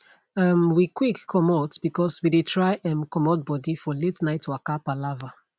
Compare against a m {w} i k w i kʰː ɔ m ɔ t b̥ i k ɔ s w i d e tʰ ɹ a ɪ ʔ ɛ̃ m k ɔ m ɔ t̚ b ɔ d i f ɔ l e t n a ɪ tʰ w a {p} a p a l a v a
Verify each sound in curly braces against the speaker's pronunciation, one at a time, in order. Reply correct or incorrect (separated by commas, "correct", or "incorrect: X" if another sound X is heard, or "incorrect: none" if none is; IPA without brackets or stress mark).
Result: correct, incorrect: k